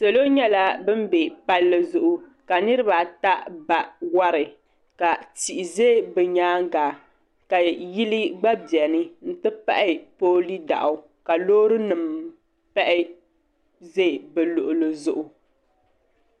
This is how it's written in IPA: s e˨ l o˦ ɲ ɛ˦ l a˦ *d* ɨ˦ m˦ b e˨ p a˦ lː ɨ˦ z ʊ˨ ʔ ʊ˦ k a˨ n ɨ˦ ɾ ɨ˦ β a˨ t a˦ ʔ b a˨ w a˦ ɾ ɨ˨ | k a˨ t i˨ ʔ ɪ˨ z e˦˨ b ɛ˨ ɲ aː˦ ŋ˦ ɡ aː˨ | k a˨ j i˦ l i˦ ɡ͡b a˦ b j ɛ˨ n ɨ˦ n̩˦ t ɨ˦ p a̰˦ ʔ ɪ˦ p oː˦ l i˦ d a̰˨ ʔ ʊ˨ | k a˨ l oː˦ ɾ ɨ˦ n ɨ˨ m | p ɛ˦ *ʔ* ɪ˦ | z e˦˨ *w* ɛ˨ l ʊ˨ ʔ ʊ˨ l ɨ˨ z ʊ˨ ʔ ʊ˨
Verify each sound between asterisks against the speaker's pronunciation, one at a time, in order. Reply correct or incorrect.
incorrect, correct, incorrect

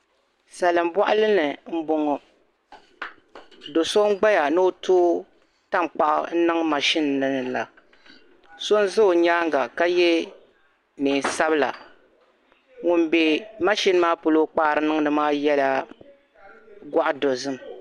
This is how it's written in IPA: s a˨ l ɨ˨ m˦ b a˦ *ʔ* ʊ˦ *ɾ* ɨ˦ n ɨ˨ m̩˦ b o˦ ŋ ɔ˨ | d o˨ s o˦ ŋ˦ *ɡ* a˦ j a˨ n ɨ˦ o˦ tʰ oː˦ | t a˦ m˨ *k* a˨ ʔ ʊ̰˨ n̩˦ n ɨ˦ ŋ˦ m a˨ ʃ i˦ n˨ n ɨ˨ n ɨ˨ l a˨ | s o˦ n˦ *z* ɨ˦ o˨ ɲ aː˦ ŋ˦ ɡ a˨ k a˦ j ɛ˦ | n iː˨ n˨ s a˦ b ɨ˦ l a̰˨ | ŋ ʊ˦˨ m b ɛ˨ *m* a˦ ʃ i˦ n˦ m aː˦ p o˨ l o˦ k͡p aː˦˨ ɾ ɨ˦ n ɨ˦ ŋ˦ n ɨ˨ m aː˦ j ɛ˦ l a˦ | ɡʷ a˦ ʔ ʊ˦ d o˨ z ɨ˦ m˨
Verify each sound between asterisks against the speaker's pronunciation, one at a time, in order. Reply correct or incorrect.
correct, incorrect, incorrect, incorrect, correct, correct

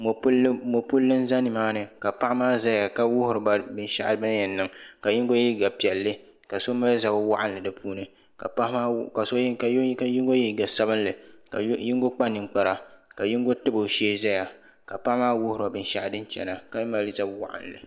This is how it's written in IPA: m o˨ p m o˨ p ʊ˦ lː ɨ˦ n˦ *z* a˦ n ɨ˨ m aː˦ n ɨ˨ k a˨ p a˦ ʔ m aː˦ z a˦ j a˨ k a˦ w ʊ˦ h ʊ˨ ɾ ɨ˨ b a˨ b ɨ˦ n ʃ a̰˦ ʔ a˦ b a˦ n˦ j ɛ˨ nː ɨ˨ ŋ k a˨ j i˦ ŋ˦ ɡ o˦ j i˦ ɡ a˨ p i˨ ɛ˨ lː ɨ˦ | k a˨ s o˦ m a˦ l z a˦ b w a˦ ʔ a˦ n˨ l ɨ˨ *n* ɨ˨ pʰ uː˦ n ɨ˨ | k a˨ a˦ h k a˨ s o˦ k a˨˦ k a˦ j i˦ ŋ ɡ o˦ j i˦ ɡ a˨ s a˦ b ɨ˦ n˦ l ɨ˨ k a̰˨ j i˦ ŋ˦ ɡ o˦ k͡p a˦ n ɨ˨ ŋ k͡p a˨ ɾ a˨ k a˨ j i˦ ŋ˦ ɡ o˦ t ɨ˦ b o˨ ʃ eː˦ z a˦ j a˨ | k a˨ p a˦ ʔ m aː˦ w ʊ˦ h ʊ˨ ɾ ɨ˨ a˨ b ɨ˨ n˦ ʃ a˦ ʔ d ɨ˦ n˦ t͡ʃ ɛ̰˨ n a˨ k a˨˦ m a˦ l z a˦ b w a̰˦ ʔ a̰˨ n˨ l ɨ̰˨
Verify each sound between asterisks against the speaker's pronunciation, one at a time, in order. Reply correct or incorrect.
correct, incorrect

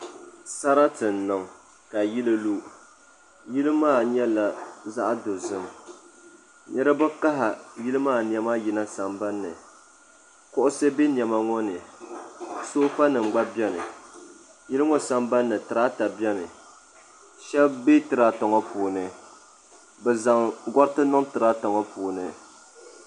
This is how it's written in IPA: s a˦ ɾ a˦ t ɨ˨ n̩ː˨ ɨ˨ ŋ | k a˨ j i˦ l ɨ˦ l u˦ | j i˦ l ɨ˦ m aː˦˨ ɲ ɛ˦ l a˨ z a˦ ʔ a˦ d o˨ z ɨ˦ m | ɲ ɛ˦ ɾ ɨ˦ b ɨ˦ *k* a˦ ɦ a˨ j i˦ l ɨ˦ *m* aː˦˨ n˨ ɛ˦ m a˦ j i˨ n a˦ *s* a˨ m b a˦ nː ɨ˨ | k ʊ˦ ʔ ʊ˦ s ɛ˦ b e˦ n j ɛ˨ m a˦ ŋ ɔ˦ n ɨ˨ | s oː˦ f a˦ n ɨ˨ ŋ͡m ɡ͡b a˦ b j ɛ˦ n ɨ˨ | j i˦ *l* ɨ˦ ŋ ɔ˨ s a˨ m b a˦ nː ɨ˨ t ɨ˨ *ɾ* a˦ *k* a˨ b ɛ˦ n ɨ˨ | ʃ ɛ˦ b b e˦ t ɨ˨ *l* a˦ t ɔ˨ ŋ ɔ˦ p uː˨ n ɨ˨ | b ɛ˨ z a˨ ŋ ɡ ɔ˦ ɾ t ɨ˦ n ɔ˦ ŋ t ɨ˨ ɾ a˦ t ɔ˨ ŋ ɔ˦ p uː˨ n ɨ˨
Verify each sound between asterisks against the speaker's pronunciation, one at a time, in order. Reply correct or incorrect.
correct, correct, correct, correct, correct, incorrect, incorrect

